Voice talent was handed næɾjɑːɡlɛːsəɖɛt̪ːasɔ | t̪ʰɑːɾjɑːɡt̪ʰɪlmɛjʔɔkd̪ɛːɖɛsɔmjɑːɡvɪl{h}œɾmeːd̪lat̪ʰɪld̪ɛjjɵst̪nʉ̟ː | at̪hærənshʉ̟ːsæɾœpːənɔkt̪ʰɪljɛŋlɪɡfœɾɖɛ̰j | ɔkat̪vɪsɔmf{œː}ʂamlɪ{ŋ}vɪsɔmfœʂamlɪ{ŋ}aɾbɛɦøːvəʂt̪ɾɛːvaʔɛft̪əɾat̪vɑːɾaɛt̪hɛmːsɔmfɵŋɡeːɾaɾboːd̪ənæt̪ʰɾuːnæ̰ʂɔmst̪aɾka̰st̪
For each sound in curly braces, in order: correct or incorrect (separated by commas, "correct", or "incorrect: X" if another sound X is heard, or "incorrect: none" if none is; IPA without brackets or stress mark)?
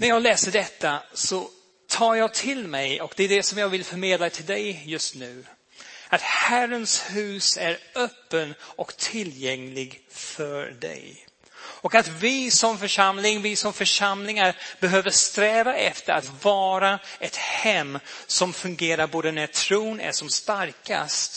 incorrect: f, incorrect: œ, correct, correct